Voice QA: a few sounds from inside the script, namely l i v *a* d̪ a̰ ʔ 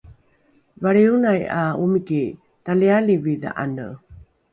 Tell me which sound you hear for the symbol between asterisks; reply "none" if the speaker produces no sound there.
i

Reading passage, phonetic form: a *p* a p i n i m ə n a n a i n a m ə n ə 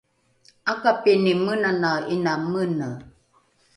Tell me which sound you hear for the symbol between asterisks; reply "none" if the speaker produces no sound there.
k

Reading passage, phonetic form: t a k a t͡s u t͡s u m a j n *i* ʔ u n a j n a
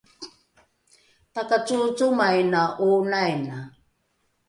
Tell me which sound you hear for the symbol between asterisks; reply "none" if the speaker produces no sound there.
a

